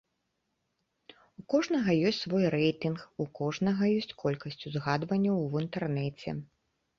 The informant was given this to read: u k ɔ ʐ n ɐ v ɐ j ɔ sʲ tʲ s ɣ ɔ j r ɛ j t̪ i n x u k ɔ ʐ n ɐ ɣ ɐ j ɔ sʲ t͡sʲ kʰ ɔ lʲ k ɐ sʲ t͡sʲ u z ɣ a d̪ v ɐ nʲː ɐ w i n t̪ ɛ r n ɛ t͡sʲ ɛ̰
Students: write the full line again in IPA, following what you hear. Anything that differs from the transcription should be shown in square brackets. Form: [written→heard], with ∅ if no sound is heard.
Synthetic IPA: u k ɔ ʐ n ɐ [v→ɣ] ɐ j ɔ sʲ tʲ s [ɣ→v] ɔ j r ɛ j t̪ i n x u k ɔ ʐ n ɐ ɣ ɐ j ɔ sʲ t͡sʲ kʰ ɔ lʲ k ɐ sʲ t͡sʲ u z ɣ a d̪ v ɐ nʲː ɐ w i n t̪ ɛ r n ɛ t͡sʲ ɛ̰

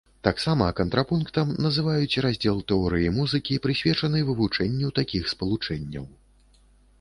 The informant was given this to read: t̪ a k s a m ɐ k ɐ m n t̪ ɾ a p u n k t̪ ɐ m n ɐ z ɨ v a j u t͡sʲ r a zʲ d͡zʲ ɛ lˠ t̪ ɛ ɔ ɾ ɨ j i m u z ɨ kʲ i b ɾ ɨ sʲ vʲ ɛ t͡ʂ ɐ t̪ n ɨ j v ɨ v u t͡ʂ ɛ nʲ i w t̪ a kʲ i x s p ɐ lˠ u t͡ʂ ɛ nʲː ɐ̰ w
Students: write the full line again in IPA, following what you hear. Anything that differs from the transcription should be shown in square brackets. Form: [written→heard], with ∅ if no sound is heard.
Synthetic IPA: t̪ a k s a m ɐ k ɐ [m→∅] n t̪ ɾ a p u n k t̪ ɐ m n ɐ z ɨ v a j u t͡sʲ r a zʲ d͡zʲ ɛ lˠ t̪ ɛ ɔ ɾ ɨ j i m u z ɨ kʲ i [b→p] ɾ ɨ sʲ vʲ ɛ t͡ʂ ɐ [t̪→∅] n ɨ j v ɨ v u t͡ʂ ɛ [nʲ→nʲː] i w t̪ a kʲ i x s p ɐ lˠ u t͡ʂ ɛ nʲː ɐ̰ w

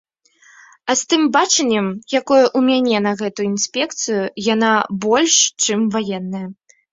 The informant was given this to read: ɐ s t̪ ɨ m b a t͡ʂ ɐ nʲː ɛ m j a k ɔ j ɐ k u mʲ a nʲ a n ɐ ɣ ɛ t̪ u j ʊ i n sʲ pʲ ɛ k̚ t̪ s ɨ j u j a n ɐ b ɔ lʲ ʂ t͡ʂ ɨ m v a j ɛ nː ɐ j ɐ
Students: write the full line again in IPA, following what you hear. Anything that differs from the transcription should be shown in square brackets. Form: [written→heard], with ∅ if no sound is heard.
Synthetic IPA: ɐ s t̪ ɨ m b a t͡ʂ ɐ nʲː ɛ m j a k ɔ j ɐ [k→ʔ] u mʲ a nʲ [a→ɛ] n ɐ ɣ ɛ t̪ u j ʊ i n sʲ pʲ ɛ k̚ t̪ s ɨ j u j a n [ɐ→a] b ɔ lʲ ʂ t͡ʂ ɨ m v a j ɛ nː ɐ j ɐ

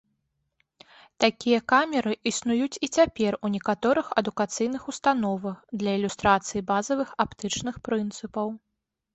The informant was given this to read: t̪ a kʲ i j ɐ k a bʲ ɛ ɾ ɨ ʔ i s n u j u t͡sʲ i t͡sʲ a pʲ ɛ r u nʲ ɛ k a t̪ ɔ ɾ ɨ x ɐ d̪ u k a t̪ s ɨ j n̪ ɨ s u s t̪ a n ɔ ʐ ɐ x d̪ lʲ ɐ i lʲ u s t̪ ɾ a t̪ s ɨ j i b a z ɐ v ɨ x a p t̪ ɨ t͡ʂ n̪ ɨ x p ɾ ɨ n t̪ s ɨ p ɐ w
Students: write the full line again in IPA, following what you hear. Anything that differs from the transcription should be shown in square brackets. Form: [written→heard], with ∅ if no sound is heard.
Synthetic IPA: t̪ a kʲ i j ɐ k a [bʲ→mʲ] ɛ ɾ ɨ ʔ i s n u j u t͡sʲ i t͡sʲ a pʲ ɛ r u nʲ ɛ k a t̪ ɔ ɾ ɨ x ɐ d̪ u k a t̪ s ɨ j n̪ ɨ [s→x] u s t̪ a n ɔ [ʐ→v] ɐ x d̪ lʲ ɐ i lʲ u s t̪ ɾ a t̪ s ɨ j i b a z ɐ v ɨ x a p t̪ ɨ t͡ʂ n̪ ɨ x p ɾ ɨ n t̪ s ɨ p ɐ w

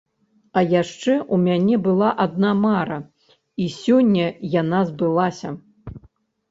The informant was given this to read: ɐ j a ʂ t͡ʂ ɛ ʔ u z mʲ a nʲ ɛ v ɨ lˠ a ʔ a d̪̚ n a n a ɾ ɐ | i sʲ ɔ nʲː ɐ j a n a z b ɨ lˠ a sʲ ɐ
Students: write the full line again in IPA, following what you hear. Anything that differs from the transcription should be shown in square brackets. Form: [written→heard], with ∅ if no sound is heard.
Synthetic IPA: ɐ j a ʂ t͡ʂ ɛ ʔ u [z→∅] mʲ a nʲ ɛ [v→b] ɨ lˠ a ʔ a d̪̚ n a [n→m] a ɾ ɐ | i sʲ ɔ nʲː ɐ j a n a z b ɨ lˠ a sʲ ɐ

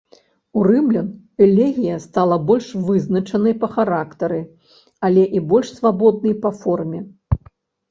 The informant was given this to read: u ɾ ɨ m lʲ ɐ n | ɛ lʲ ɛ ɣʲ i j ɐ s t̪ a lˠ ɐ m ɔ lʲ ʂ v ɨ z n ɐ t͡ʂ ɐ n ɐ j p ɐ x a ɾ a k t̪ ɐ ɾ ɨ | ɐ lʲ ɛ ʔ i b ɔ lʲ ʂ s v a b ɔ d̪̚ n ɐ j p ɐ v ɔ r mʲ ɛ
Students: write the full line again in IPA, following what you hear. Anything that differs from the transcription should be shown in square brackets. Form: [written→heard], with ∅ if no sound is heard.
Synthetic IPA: u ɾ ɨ m lʲ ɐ n | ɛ lʲ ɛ ɣʲ i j ɐ s t̪ a lˠ ɐ [m→b] ɔ lʲ ʂ v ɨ z n ɐ t͡ʂ ɐ n ɐ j p ɐ x a ɾ a k t̪ ɐ ɾ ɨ | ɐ lʲ ɛ ʔ i b ɔ lʲ ʂ s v a b ɔ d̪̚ n ɐ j p ɐ [v→f] ɔ r mʲ ɛ

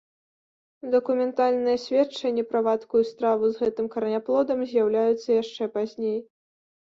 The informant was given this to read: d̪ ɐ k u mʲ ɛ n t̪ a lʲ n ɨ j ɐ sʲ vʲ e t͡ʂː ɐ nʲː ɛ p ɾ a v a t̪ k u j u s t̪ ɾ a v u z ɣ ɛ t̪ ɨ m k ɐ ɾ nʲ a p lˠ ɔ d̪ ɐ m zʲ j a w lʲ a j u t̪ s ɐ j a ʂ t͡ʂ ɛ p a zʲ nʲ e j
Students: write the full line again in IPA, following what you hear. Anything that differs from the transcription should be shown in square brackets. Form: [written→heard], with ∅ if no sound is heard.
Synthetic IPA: d̪ ɐ k u mʲ ɛ n t̪ a lʲ n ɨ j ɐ sʲ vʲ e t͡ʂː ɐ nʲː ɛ p ɾ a v a t̪ k u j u s t̪ ɾ a v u z ɣ ɛ t̪ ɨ m k ɐ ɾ nʲ a p lˠ ɔ d̪ ɐ m zʲ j a w lʲ a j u t̪ [s→sː] ɐ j a ʂ t͡ʂ ɛ p a zʲ nʲ e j

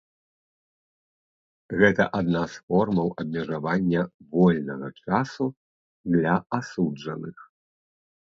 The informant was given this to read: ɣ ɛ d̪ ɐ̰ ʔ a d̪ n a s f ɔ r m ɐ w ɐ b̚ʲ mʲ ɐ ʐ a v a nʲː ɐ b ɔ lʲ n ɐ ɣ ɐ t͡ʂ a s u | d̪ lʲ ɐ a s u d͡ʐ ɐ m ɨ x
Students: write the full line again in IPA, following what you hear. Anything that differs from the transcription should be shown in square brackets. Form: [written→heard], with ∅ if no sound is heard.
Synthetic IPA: ɣ ɛ [d̪→t̪] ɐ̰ ʔ a d̪ n a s f ɔ r m ɐ w ɐ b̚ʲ mʲ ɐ ʐ a v a nʲː ɐ [b→v] ɔ lʲ n ɐ ɣ ɐ t͡ʂ a s u | d̪ lʲ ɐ a s u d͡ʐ ɐ [m→n] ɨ x

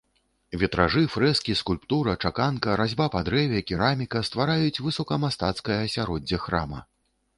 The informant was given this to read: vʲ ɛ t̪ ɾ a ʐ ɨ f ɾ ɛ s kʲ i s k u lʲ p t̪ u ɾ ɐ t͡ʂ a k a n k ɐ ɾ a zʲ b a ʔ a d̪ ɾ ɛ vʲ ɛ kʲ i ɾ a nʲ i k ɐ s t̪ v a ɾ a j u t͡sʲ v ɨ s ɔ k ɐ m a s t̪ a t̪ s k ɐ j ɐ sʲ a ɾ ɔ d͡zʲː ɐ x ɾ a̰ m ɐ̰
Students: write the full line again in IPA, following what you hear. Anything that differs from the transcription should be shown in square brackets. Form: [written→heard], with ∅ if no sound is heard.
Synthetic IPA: vʲ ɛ t̪ ɾ a ʐ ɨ f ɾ ɛ s kʲ i s k u lʲ p t̪ u ɾ ɐ t͡ʂ a k a n k ɐ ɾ a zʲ b a [ʔ→p] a d̪ ɾ ɛ vʲ ɛ kʲ i ɾ a [nʲ→mʲ] i k ɐ s t̪ v a ɾ a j u t͡sʲ v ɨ s ɔ k ɐ m a s t̪ a t̪ s k ɐ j ɐ sʲ a ɾ ɔ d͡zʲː ɐ x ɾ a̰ m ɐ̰

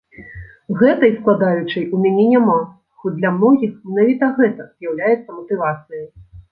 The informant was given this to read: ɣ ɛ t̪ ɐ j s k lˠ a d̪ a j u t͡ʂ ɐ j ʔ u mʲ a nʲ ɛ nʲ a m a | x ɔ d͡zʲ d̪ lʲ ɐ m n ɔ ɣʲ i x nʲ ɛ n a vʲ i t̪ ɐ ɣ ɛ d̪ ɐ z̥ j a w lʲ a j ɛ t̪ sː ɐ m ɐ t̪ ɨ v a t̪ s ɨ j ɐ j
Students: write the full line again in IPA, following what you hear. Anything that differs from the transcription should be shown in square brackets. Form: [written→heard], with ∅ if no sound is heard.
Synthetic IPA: ɣ ɛ t̪ ɐ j s k lˠ a d̪ a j u t͡ʂ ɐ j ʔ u mʲ a nʲ ɛ nʲ a m a | x ɔ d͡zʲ d̪ lʲ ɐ m n ɔ ɣʲ i x [nʲ→mʲ] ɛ n a vʲ i t̪ ɐ ɣ ɛ [d̪→t̪] ɐ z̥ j a w lʲ a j ɛ t̪ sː ɐ m ɐ t̪ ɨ v a t̪ s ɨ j ɐ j

